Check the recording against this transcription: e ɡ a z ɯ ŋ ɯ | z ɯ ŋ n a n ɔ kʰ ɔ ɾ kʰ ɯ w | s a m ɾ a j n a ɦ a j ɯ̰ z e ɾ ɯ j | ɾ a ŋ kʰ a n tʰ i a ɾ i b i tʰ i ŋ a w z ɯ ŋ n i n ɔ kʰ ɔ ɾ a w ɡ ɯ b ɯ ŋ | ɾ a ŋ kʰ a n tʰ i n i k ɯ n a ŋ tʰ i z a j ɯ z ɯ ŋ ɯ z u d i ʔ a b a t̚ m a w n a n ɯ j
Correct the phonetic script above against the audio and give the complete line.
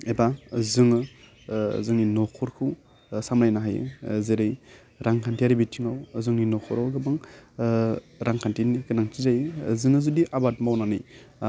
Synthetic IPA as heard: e b a z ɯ ŋ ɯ | z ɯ ŋ n i n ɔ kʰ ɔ ɾ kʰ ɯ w | s a m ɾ a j n a ɦ a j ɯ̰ z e ɾ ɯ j | ɾ a ŋ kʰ a n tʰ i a ɾ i b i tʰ i ŋ a w z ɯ ŋ n i n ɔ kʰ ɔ ɾ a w ɡ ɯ b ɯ ŋ | ɾ a ŋ kʰ a n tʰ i n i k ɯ n a ŋ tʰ i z a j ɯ z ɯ ŋ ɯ z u d i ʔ a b a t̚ m a w n a n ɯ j